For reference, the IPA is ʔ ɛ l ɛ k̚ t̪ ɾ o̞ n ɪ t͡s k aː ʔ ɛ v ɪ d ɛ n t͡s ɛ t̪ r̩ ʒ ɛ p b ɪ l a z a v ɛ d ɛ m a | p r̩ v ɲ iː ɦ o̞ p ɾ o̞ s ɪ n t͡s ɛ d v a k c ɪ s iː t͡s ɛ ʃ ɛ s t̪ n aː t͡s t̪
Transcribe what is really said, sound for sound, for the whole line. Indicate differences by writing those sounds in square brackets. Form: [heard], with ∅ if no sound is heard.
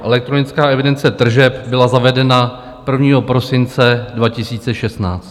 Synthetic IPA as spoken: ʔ ɛ l ɛ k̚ t̪ ɾ o̞ n ɪ t͡s k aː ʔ ɛ v ɪ d ɛ n t͡s ɛ t̪ r̩ ʒ ɛ p b ɪ l a z a v ɛ d ɛ [n] a | p r̩ v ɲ iː ɦ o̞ p ɾ o̞ s ɪ n t͡s ɛ d v a [∅] c ɪ s iː t͡s ɛ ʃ ɛ s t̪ n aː t͡s t̪